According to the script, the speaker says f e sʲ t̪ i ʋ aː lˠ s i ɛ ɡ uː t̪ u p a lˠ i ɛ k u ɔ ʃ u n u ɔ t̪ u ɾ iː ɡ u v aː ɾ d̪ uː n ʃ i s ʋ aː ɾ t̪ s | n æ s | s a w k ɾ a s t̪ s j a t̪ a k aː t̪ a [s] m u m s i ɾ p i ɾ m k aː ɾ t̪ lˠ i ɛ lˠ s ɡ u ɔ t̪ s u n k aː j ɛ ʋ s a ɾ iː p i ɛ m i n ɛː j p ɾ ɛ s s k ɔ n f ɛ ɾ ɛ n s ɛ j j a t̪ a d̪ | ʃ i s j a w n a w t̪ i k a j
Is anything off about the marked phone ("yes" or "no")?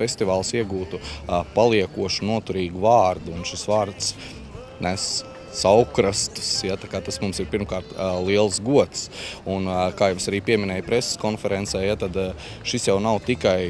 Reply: no